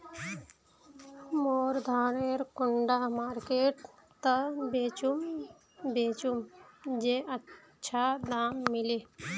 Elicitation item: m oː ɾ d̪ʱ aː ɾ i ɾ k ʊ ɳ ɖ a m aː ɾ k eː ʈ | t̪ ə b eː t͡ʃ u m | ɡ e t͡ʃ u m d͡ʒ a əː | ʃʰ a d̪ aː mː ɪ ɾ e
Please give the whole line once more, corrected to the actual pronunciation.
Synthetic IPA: m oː ɾ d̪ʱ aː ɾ e ɾ k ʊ ɳ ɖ a m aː ɾ k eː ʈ | t̪ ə b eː t͡ʃ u m | b e t͡ʃ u m d͡ʒ e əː | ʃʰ a d̪ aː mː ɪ l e

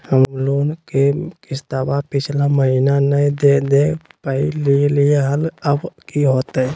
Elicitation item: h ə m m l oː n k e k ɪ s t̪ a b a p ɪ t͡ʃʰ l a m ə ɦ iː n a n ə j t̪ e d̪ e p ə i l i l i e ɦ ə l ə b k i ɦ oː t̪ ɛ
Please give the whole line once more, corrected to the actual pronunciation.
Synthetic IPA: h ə m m l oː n k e k ɪ s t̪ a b a p ɪ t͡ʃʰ l a m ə ɦ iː n a n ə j d̪ e d̪ e p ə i l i l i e ɦ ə l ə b k i ɦ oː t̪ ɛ

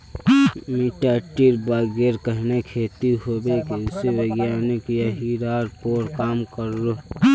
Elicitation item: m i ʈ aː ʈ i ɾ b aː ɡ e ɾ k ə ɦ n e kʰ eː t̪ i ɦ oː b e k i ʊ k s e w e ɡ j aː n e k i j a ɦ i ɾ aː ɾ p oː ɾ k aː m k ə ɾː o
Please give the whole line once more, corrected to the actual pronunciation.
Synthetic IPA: m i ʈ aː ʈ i ɾ b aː ɡ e ɾ k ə ɦ n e kʰ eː t̪ i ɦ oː b e k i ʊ s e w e ɡ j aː n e k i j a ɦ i ɾ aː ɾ p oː ɾ k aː m k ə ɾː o

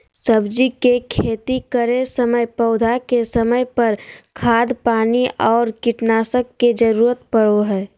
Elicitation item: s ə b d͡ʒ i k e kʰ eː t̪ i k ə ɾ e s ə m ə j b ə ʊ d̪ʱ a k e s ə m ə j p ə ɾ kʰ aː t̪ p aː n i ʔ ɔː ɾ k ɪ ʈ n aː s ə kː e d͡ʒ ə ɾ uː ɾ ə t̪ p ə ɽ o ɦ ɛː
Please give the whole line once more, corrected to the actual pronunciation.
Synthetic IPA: s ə b d͡ʒ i k e kʰ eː t̪ i k ə ɾ e s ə m ə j p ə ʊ d̪ʱ a k e s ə m ə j p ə ɾ kʰ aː d̪ p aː n i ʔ ɔː ɾ k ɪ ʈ n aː s ə kː e d͡ʒ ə ɾ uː ɾ ə t̪ p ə ɽ o ɦ ɛː

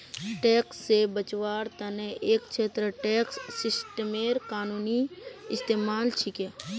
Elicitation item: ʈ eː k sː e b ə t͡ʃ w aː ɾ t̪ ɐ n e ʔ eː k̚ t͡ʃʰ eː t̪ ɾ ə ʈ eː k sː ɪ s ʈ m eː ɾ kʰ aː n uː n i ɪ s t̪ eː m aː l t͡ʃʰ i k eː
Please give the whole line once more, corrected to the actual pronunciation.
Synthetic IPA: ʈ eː k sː e b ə t͡ʃ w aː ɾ t̪ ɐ n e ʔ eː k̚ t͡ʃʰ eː t̪ ɾ ə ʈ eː k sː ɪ s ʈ m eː ɾ k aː n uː n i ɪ s t̪ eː m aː l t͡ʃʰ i k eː

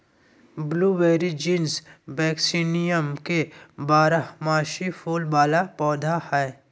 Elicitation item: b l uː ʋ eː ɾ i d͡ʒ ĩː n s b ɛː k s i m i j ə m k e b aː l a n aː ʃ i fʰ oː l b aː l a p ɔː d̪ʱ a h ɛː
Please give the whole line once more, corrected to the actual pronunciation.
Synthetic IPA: b l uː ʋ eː ɾ i d͡ʒ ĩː n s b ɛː k s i n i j ə m k e b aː ɾ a m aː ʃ i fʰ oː l b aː l a p ɔː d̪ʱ a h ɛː

